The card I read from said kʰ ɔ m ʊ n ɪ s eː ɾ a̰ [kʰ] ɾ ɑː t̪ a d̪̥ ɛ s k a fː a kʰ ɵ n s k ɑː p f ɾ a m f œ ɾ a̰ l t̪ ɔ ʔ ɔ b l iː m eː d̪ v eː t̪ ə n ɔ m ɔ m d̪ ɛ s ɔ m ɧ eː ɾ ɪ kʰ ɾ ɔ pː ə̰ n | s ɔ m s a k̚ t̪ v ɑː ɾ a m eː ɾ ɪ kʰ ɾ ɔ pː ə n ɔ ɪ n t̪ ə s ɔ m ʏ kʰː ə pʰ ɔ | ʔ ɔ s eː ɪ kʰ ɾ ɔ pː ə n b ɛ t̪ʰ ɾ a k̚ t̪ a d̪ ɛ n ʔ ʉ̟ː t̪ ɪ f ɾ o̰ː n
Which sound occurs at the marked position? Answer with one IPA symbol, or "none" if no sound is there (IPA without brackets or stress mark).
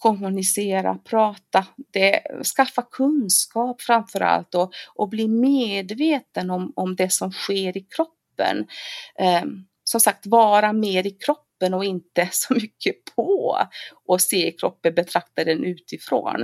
pʰ